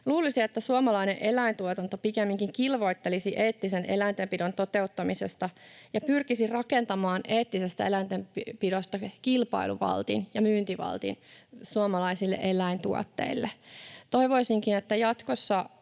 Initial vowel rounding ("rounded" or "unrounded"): rounded